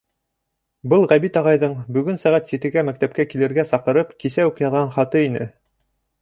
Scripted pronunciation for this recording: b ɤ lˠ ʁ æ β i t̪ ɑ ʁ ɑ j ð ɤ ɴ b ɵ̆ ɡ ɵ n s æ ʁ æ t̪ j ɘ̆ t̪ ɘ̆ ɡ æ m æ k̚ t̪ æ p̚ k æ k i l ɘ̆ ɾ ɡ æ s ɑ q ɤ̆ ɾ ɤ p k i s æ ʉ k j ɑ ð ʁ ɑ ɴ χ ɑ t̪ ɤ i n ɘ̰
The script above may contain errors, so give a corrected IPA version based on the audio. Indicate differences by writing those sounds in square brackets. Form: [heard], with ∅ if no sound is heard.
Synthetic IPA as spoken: b ɤ lˠ ʁ æ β i t̪ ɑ ʁ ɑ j ð ɤ ɴ b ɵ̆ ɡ ɵ n s æ ʁ æ t̪ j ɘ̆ t̪ ɘ̆ ɡ æ m æ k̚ t̪ æ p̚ k æ k i l ɘ̆ ɾ ɡ æ s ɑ q ɤ̆ ɾ ɤ p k i s æ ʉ k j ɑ ð ʁ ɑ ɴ χ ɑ t̪ ɤ i n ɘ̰